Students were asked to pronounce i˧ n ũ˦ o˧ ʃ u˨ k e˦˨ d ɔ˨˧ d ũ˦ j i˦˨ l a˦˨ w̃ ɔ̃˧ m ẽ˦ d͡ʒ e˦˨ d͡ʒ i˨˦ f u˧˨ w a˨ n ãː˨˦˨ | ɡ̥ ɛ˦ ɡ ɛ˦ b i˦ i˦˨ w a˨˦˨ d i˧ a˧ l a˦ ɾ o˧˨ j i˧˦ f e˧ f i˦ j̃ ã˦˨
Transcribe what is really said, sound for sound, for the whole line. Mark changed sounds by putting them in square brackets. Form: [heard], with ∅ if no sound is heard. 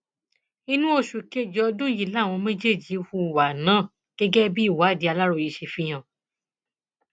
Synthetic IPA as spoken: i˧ n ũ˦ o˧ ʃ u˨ k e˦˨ [d͡ʒ] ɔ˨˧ d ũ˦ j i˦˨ l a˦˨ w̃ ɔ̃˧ m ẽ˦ d͡ʒ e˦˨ d͡ʒ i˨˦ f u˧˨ w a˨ n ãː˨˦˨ | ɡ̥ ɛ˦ ɡ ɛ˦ b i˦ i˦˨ w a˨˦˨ d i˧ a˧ l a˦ ɾ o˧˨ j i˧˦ [ʃ] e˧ f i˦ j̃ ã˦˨